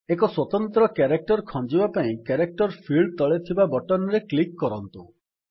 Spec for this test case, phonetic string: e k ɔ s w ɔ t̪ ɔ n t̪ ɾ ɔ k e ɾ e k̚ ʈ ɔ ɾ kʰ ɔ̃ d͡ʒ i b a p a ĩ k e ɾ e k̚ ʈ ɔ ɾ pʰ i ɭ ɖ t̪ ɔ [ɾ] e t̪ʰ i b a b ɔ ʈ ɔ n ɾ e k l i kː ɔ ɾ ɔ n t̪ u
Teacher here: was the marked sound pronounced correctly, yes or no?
no